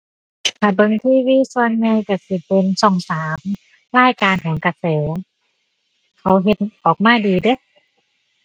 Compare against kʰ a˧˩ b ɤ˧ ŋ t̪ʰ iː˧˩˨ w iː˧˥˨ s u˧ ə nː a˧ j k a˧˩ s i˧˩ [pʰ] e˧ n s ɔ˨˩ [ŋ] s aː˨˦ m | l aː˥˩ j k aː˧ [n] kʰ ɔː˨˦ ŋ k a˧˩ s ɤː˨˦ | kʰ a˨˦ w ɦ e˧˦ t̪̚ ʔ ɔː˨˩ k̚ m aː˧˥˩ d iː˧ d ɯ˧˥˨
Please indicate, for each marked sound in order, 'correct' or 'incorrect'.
incorrect, correct, correct

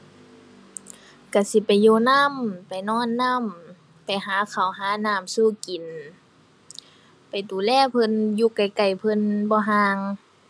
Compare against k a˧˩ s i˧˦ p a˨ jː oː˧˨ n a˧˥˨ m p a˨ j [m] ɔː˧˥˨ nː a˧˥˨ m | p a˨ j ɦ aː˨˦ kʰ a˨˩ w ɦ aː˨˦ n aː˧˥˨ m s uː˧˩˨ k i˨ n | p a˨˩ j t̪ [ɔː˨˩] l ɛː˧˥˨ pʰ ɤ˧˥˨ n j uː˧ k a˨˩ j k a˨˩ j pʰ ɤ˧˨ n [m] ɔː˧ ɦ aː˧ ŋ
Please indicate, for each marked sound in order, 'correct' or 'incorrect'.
incorrect, incorrect, incorrect

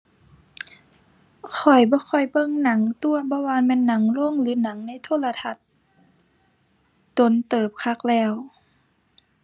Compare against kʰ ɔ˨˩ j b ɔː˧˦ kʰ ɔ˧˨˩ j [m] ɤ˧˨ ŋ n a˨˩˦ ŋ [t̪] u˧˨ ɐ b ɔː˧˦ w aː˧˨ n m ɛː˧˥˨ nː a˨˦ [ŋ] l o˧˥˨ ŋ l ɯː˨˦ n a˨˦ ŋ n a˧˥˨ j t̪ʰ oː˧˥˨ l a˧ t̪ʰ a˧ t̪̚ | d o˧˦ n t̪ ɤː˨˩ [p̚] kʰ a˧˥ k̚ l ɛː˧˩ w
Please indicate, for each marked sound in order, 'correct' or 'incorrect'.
incorrect, correct, correct, correct

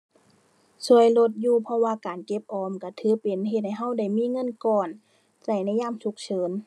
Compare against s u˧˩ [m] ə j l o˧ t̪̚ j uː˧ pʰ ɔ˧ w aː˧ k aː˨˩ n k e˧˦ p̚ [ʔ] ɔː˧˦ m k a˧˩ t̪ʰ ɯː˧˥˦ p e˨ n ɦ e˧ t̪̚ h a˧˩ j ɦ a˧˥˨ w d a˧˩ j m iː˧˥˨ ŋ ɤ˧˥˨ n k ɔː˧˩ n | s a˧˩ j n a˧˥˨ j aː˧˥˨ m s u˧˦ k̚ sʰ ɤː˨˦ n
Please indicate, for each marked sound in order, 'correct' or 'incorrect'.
incorrect, correct

